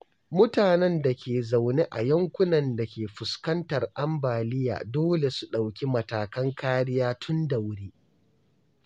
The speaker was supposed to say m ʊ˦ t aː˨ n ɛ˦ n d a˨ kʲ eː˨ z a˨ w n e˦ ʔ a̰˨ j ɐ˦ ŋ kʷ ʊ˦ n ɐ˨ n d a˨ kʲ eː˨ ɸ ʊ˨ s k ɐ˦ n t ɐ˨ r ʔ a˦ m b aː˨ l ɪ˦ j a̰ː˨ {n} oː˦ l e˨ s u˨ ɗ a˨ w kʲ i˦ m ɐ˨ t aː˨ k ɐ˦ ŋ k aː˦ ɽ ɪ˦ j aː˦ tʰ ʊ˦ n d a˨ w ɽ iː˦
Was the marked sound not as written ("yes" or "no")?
yes